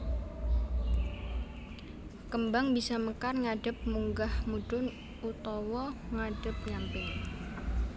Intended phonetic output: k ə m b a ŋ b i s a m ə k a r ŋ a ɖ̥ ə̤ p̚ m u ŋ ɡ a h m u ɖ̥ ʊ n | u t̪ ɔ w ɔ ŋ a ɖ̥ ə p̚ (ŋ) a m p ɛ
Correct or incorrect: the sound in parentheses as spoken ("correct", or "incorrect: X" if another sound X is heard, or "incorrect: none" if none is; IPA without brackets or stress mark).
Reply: incorrect: ɲ